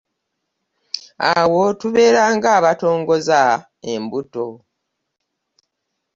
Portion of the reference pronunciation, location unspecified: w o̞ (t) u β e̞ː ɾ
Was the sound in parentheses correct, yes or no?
yes